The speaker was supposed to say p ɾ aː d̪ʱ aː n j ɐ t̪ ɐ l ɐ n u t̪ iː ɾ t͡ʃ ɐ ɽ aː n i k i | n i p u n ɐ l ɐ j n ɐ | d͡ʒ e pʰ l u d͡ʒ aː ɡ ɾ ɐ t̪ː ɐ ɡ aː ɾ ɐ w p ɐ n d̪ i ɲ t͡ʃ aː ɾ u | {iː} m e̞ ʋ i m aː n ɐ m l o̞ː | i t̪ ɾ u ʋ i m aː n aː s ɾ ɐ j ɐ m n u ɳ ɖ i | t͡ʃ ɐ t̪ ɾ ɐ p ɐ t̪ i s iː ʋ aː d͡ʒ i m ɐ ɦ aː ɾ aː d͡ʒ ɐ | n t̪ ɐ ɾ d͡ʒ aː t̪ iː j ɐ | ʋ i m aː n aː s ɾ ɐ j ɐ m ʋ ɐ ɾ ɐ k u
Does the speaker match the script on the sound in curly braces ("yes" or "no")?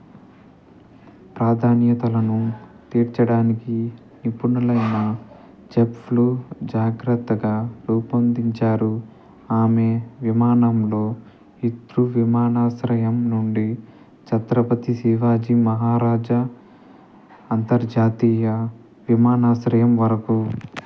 no